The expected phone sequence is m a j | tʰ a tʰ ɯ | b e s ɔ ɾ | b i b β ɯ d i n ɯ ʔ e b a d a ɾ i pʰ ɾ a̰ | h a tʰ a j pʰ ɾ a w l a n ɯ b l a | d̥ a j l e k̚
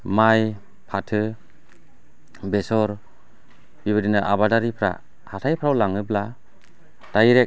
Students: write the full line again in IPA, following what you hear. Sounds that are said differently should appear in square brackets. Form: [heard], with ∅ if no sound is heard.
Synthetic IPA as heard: m a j | [pʰ] a tʰ ɯ | b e s ɔ ɾ | b i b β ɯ d i n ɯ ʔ [a] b a d a ɾ i pʰ ɾ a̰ | h a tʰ a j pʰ ɾ a w l a [ŋ] ɯ b l a | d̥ a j [ɾ] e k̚